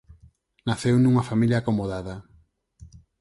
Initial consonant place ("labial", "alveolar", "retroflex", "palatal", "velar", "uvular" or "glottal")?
alveolar